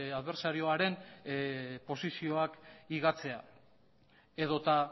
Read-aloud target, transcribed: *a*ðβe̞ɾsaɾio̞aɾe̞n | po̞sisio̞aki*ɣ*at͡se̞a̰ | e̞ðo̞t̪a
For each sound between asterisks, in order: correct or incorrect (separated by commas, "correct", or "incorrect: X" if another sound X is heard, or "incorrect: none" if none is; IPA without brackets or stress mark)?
correct, correct